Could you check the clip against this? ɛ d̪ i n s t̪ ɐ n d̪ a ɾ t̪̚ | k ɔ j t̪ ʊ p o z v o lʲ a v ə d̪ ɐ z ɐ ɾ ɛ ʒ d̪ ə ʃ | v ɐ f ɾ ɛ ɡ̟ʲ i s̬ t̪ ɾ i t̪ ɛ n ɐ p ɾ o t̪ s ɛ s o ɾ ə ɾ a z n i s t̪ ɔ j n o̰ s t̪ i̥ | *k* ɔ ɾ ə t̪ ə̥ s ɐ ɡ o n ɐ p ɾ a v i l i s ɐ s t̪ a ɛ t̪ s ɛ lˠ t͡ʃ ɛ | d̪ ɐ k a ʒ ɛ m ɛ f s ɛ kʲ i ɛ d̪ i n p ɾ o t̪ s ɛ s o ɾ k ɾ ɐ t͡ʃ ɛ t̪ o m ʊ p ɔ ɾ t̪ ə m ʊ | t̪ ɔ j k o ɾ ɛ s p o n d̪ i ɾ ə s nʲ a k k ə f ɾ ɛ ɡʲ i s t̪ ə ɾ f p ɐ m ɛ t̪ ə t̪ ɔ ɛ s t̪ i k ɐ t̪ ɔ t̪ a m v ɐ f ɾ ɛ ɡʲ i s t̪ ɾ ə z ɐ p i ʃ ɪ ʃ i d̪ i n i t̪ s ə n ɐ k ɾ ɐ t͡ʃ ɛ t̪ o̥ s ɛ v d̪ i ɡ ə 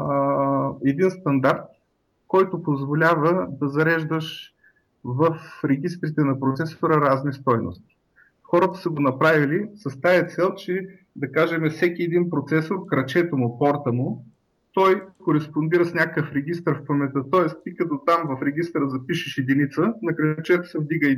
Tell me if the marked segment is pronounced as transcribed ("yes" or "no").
no